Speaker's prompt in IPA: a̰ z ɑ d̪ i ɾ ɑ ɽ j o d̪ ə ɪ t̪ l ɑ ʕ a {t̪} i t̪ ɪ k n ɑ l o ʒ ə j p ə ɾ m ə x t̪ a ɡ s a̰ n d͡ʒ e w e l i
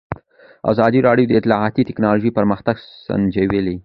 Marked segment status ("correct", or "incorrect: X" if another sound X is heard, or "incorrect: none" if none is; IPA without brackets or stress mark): correct